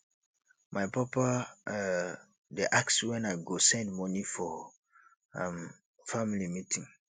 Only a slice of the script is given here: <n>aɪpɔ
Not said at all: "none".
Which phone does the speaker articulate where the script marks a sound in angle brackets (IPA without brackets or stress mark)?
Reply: m